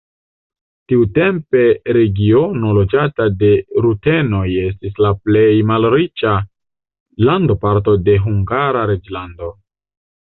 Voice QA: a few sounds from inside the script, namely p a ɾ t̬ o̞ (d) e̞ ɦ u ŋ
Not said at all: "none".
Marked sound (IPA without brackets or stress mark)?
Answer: d